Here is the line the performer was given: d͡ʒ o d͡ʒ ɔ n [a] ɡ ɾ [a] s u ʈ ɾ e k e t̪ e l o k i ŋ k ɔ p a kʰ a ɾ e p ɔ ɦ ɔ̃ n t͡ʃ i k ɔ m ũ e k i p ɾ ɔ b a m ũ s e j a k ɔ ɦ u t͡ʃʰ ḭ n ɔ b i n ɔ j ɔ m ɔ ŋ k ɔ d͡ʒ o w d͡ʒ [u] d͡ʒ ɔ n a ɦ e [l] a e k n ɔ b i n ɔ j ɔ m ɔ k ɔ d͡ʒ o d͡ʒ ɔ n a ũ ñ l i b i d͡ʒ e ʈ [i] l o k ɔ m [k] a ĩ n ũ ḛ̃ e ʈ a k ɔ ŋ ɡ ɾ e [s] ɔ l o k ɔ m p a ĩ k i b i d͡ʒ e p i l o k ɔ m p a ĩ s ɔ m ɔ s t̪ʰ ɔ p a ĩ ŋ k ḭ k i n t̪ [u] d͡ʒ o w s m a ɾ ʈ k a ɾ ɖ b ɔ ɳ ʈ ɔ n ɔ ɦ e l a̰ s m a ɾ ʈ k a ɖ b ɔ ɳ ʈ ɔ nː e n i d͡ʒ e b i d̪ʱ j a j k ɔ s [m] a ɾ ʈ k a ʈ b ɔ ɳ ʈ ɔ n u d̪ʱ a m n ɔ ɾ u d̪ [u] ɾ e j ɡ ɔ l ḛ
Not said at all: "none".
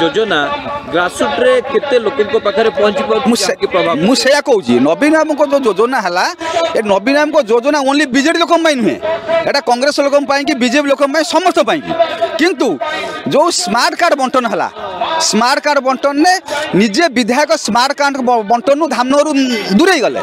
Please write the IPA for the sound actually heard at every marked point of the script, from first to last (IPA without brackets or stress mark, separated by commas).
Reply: a, a, o, l, i, p, s, u, m, u